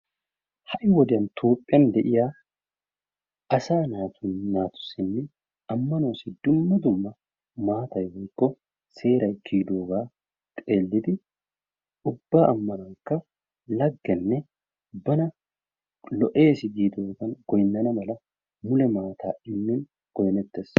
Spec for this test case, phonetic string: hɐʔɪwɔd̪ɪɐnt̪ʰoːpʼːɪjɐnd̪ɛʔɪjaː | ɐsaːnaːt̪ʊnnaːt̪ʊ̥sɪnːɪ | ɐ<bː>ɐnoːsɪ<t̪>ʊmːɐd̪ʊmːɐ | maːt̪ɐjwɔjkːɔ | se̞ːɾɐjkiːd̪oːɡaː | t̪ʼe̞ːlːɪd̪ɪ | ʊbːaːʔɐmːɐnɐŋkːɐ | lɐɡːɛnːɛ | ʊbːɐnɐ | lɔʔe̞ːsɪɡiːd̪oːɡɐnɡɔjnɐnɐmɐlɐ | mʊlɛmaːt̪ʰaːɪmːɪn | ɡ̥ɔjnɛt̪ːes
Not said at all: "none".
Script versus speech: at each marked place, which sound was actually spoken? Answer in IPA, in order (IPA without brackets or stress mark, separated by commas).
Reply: mː, d̪